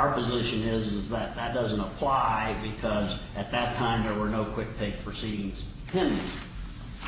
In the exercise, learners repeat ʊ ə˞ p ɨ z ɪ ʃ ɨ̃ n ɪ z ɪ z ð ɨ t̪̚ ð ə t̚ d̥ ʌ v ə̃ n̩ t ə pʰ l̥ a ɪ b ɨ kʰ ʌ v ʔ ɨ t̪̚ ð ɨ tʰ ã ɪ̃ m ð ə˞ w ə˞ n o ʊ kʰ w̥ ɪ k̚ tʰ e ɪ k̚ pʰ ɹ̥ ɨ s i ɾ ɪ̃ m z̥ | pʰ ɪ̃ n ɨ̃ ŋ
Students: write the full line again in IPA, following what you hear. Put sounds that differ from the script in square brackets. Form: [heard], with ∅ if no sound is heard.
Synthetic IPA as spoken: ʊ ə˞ p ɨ z ɪ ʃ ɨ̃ n ɪ z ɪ z ð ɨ t̪̚ ð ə t̚ d̥ ʌ [z] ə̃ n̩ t ə pʰ l̥ a ɪ b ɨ kʰ ʌ [z] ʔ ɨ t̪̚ ð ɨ tʰ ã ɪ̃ m ð ə˞ w ə˞ n o ʊ kʰ w̥ ɪ k̚ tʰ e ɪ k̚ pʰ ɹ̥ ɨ s i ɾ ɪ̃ [ŋ] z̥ | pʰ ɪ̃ n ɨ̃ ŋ

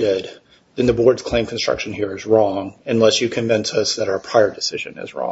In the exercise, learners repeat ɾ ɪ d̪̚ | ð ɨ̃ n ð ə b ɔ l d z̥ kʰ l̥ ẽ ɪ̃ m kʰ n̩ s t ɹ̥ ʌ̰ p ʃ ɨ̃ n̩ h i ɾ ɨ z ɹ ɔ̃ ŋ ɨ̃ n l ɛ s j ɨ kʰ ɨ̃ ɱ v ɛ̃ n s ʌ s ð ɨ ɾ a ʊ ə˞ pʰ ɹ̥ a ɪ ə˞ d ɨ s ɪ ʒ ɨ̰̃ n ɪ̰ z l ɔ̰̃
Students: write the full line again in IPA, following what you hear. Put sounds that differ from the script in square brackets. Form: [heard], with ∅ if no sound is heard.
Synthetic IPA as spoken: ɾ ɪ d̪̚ | ð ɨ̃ n ð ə b ɔ [ɹ] d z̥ kʰ l̥ ẽ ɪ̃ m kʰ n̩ s t ɹ̥ ʌ̰ [k] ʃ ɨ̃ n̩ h i [ɹ] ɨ z ɹ ɔ̃ ŋ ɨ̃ n l ɛ s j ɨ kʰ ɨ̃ ɱ v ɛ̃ n s ʌ s ð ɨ ɾ a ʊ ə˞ pʰ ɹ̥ a ɪ ə˞ d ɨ s ɪ ʒ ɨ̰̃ n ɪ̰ z [ɹ] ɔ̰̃

